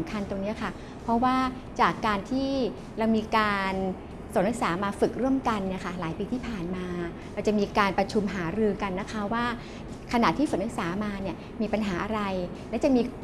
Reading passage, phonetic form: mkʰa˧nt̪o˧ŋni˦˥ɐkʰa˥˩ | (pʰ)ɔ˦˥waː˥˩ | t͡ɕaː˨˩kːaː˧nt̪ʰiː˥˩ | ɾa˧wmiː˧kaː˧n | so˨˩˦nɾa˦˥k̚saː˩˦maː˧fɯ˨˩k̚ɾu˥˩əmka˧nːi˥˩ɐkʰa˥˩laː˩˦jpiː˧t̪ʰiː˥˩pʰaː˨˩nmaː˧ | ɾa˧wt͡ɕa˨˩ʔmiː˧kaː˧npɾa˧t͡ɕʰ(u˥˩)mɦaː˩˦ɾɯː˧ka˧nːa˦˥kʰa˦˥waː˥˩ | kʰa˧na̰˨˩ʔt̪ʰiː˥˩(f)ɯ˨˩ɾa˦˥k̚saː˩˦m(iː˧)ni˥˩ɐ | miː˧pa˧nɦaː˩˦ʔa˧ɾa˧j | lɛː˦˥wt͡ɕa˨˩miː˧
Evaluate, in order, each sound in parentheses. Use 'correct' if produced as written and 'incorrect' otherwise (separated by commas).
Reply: correct, incorrect, correct, incorrect